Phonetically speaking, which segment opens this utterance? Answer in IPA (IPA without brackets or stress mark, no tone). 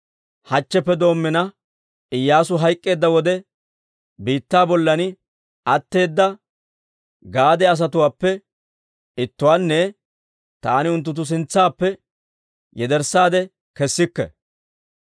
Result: h